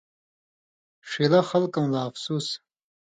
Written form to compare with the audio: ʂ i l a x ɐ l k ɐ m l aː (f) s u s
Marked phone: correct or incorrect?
correct